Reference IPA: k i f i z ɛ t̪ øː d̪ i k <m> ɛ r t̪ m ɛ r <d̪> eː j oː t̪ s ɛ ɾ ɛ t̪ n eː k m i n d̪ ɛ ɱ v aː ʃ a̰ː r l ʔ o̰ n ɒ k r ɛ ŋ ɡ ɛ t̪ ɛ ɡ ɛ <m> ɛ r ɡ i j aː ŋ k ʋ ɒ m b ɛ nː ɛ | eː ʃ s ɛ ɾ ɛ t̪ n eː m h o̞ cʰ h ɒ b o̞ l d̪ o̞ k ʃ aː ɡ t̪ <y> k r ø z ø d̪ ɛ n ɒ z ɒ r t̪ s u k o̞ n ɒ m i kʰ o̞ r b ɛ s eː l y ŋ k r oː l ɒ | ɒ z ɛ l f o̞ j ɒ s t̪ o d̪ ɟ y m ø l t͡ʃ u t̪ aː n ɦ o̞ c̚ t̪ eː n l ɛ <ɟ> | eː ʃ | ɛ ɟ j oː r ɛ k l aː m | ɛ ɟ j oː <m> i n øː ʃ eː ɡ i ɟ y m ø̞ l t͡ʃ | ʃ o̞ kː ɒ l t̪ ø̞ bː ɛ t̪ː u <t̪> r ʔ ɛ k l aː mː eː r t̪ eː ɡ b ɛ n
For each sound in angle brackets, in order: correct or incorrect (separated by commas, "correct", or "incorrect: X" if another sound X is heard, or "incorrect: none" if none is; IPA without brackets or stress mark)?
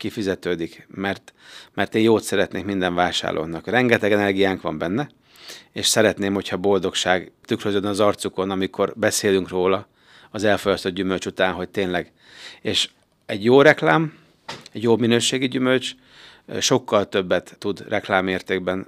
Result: correct, incorrect: t̪, incorrect: n, correct, incorrect: ɡ, correct, incorrect: d̪